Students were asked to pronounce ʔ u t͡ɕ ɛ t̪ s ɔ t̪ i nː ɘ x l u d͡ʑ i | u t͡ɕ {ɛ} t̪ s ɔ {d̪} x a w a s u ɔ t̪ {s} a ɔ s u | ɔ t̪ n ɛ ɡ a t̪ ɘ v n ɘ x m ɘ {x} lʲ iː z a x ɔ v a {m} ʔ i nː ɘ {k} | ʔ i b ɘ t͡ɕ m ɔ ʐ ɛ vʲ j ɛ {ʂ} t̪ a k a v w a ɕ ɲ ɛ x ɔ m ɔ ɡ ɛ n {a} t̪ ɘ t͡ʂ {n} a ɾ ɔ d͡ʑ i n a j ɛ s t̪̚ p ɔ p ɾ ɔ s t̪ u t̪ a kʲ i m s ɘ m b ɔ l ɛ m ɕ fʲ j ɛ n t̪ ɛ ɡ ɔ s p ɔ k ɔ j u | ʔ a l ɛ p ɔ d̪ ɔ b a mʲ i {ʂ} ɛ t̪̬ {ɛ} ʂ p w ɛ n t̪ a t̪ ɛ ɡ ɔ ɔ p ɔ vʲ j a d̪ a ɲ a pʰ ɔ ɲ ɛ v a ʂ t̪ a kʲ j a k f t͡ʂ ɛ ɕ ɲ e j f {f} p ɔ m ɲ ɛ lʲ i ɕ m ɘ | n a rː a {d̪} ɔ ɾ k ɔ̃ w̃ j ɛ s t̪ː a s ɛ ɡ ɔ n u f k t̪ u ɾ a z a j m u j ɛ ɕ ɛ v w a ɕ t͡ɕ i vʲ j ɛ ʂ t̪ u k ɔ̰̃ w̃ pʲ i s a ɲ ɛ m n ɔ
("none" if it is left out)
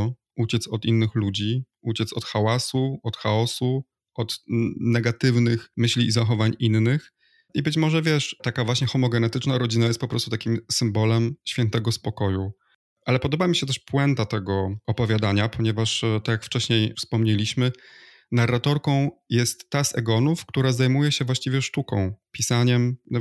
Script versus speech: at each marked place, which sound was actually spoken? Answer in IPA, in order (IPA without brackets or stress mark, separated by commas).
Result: ɛ, t̪, x, ɕ, ɲ, x, ʂ, ɛ, n, ɕ, ɛ, s, t̪